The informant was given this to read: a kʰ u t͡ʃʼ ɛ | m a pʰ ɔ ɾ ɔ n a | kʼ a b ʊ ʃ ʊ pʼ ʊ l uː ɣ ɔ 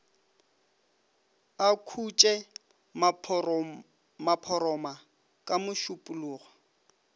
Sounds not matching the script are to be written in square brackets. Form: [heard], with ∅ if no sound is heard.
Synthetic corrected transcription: a kʰ u t͡ʃʼ ɛ | m a pʰ ɔ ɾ ɔ [m] a | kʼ a [m] ʊ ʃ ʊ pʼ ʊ l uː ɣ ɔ